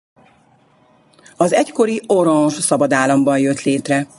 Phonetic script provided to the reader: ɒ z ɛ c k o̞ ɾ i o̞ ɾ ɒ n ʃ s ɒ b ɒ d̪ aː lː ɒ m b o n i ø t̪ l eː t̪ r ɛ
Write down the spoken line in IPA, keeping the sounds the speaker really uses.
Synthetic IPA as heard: ɒ z ɛ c k o̞ ɾ i o̞ ɾ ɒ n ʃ s ɒ b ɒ d̪ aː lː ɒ m b ɒ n j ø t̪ l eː t̪ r ɛ